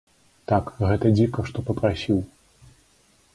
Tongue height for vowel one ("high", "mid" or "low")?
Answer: low